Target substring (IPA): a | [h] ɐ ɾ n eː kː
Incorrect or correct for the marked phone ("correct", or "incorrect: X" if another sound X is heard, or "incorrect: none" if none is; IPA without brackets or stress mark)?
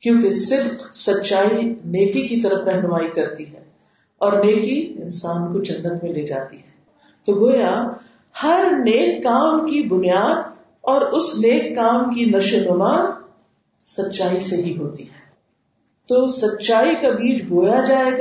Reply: correct